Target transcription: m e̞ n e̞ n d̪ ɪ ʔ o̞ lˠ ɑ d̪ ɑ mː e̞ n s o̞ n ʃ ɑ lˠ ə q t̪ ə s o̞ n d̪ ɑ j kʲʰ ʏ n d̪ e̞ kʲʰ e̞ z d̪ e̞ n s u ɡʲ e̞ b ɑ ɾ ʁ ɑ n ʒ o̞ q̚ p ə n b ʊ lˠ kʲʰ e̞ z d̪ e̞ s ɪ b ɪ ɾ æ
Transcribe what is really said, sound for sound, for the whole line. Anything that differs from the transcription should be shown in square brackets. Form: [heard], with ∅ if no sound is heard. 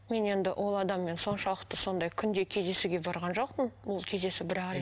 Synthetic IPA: m e̞ n e̞ n d̪ ɪ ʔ o̞ lˠ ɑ d̪ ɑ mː e̞ n s o̞ n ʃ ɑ lˠ ə q t̪ ə s o̞ n d̪ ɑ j kʲʰ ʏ n d̪ e̞ kʲʰ e̞ z d̪ e̞ [∅] s u ɡʲ e̞ b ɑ ɾ ʁ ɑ n ʒ o̞ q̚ p ə n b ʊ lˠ kʲʰ e̞ z d̪ e̞ s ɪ b ɪ ɾ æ